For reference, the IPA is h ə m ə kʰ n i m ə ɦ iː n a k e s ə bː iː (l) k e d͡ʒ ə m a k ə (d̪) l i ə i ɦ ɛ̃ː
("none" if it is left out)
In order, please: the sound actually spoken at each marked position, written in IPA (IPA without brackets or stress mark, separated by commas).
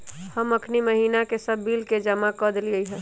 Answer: l, d̪